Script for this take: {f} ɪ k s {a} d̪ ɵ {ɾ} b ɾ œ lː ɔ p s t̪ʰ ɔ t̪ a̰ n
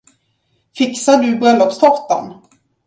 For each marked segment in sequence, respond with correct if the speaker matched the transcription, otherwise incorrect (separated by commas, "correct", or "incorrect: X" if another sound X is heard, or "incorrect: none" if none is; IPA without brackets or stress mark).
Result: correct, correct, incorrect: none